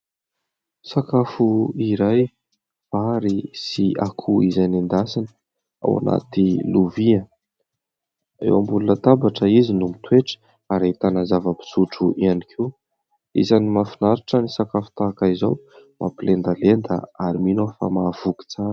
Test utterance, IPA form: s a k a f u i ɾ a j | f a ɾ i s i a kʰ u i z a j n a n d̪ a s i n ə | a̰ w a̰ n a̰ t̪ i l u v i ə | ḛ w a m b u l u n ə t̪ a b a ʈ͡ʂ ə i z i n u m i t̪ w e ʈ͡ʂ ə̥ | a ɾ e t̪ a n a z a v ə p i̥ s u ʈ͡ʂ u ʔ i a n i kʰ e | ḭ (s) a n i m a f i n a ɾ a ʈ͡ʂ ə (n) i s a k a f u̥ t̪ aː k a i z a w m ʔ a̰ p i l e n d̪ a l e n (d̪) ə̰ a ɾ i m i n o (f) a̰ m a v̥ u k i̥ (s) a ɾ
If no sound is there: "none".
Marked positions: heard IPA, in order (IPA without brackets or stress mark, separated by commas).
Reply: z, n, d̪, f, t͡s